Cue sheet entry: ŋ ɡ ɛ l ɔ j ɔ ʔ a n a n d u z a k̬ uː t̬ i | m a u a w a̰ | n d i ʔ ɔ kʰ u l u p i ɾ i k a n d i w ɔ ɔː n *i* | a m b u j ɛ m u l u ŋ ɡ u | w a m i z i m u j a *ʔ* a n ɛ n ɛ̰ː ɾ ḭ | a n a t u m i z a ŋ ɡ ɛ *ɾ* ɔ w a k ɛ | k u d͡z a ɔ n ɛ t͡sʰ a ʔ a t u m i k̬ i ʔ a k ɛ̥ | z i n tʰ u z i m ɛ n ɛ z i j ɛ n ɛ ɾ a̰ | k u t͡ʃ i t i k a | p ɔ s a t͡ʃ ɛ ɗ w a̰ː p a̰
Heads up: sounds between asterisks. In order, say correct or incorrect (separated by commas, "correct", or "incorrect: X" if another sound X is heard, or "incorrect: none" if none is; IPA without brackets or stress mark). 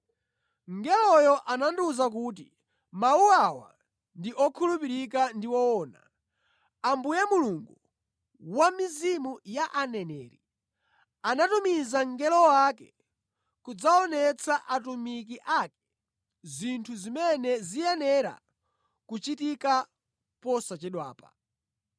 incorrect: a, correct, incorrect: l